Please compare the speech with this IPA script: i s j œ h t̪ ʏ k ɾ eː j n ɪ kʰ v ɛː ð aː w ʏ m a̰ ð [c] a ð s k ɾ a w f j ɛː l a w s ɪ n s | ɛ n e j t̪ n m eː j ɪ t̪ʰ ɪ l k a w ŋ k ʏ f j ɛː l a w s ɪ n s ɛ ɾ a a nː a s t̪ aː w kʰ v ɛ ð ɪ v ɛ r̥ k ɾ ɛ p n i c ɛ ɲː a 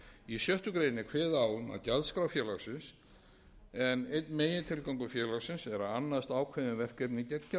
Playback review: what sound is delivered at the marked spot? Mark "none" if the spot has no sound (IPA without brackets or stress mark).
c